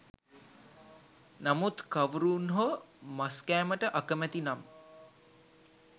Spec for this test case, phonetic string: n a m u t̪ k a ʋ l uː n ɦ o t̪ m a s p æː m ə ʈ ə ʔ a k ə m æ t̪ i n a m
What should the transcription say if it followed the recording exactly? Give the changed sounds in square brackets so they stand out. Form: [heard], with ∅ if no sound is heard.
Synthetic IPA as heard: n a m u t̪ k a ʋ [ɾ] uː n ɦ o [∅] m a s [k] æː m ə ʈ ə ʔ a k ə m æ t̪ i n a m